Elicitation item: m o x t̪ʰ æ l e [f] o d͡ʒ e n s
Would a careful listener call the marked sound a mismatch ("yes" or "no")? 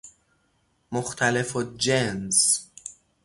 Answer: no